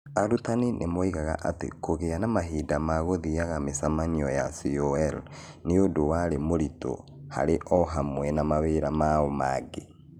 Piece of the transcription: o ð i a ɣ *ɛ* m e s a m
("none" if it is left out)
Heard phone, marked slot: a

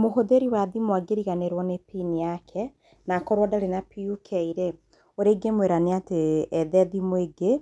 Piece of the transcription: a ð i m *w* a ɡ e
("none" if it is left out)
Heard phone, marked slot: w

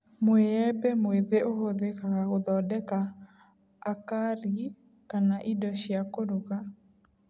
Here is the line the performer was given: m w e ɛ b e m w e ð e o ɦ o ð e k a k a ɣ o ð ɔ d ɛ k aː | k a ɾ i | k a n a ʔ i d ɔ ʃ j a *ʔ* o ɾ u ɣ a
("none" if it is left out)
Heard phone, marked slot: k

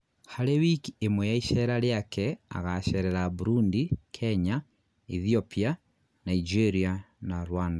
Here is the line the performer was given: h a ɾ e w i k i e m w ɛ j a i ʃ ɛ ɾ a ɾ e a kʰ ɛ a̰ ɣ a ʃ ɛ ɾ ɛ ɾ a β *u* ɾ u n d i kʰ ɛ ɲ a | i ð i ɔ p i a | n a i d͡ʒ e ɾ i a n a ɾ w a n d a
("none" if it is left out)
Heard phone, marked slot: u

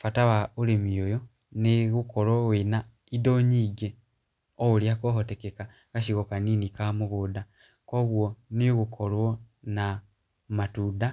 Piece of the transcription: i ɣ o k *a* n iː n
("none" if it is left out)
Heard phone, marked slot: a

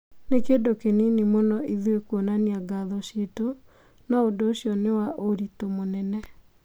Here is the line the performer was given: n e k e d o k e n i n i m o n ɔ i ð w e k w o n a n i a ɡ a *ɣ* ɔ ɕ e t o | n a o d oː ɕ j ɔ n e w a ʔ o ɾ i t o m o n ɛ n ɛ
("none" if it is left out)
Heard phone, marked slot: ð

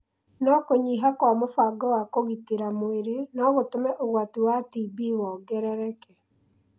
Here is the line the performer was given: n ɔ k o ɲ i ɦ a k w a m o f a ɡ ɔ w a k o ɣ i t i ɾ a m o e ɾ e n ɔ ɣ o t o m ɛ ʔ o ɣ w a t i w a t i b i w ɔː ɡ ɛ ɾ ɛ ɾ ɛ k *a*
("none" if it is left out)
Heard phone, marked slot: ɛ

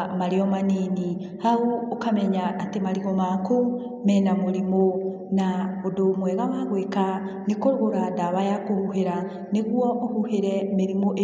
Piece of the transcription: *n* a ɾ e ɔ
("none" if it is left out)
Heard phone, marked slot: m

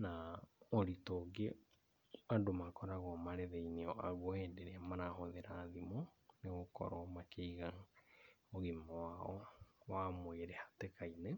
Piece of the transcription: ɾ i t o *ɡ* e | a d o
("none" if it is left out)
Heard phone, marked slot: ɡ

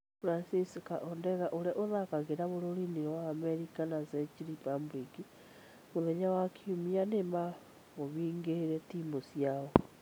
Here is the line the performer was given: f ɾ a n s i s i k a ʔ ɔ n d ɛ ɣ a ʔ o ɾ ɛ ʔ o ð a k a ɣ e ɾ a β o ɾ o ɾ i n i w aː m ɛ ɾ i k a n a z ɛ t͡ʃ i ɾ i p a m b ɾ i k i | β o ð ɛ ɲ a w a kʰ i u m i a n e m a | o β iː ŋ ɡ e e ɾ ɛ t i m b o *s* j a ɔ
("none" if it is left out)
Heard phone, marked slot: s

